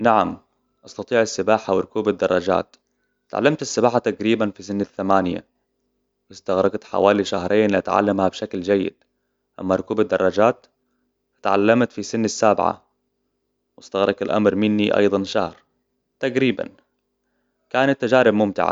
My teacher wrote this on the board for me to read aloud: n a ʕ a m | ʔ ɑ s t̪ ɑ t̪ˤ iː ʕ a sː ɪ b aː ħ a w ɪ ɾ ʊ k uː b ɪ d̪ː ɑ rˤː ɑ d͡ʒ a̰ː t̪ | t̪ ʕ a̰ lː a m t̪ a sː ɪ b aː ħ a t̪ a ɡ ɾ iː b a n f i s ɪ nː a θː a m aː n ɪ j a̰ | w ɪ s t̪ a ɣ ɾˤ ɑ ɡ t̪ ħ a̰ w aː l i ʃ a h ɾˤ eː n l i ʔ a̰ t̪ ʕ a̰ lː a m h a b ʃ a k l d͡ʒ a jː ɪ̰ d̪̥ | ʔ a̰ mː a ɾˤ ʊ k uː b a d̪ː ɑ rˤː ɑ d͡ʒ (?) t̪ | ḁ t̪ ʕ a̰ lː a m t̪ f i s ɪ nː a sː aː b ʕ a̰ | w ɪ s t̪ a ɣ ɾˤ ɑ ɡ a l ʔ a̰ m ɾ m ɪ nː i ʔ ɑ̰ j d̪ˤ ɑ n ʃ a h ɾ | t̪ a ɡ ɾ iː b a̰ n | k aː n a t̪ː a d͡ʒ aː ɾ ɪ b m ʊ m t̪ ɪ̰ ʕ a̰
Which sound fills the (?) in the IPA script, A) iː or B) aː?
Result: B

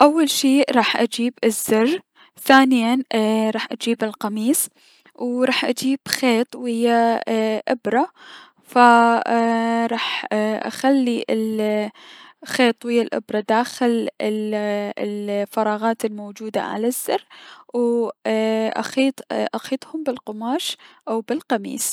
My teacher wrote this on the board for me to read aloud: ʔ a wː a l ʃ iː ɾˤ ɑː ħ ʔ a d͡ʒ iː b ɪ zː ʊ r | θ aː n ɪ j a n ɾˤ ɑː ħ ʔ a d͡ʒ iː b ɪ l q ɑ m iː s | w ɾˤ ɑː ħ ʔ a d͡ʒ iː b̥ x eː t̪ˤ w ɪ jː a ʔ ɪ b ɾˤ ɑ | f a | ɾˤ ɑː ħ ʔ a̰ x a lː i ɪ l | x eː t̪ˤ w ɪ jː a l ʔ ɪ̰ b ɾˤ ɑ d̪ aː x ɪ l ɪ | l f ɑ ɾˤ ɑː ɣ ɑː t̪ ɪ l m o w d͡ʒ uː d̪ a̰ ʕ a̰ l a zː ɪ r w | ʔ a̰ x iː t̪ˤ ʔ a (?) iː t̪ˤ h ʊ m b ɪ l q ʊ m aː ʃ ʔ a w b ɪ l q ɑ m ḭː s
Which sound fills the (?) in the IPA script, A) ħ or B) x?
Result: B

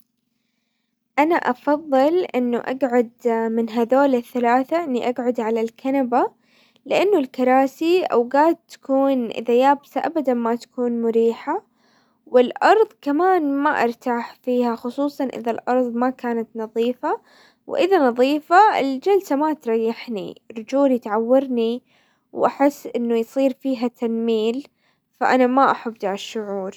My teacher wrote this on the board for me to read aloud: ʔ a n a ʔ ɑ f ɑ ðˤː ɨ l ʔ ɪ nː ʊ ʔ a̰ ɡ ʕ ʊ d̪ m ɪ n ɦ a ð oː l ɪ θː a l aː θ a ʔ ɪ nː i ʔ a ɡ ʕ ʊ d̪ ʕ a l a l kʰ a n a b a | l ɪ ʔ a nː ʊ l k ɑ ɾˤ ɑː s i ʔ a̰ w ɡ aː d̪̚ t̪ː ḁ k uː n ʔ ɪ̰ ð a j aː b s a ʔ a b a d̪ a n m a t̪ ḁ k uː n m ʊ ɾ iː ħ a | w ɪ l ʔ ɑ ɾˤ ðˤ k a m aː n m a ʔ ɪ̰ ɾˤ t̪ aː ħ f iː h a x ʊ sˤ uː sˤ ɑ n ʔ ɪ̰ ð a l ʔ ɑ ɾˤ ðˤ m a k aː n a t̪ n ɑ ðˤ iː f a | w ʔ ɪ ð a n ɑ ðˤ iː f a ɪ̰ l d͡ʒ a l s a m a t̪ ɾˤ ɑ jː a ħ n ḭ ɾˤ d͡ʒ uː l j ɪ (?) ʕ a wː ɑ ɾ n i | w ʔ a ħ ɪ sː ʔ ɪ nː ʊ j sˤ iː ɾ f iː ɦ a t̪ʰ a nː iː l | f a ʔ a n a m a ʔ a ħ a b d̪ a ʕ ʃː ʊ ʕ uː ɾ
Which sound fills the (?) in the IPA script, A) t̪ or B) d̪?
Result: A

